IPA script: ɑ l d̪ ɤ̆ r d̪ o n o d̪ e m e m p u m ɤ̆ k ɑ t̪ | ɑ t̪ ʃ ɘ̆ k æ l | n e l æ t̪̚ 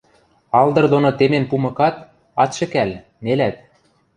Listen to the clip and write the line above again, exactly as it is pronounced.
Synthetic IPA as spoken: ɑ l d̪ ɤ̆ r d̪ o n o t̪ e m e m p u m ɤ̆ k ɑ t̪ | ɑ t̪ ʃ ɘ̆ k æ l | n e l æ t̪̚